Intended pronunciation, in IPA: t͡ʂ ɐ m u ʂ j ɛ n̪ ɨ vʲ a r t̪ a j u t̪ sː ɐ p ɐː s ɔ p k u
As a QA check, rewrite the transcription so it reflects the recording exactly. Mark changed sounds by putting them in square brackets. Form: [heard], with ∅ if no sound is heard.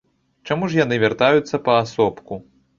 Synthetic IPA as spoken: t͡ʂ [a] m u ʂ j [a] n̪ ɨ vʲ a r t̪ a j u t̪ sː ɐ p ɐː s ɔ p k u